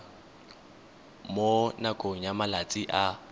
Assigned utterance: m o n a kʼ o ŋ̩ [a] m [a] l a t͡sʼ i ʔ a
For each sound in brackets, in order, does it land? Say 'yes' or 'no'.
yes, yes

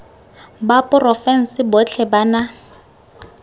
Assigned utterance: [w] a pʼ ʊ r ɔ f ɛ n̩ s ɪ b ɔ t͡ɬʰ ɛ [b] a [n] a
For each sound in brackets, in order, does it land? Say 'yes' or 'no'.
no, yes, yes

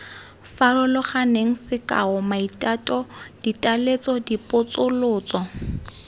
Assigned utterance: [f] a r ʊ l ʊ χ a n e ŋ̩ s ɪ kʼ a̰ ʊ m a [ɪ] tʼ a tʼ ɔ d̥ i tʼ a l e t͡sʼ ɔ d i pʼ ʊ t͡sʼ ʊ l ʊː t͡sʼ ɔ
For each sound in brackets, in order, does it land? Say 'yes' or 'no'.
yes, no

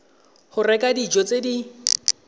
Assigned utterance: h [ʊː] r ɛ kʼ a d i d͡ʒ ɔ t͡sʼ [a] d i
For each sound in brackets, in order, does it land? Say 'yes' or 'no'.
no, no

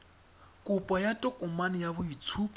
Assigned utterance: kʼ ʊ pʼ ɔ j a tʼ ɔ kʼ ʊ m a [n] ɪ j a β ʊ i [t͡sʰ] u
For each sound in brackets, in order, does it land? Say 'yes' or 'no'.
yes, yes

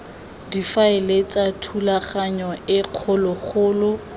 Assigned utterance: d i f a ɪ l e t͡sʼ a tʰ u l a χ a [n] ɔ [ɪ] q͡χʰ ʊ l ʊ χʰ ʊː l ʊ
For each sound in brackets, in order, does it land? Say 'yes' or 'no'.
no, yes

